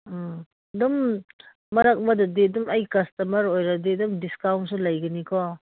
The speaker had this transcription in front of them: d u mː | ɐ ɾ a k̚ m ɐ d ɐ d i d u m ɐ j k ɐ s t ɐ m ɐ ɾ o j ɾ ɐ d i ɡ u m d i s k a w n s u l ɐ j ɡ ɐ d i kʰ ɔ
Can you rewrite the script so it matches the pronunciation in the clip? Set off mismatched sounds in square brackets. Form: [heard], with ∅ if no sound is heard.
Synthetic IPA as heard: d u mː | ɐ ɾ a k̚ m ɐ d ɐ d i d u m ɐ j k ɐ s t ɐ m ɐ ɾ o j ɾ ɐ d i [d] u m d i s k a w n s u l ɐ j ɡ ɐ [n] i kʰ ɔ